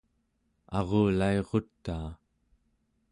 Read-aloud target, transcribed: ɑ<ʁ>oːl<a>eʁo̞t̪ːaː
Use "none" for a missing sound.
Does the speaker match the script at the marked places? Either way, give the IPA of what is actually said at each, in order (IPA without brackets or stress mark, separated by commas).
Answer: ʁ, a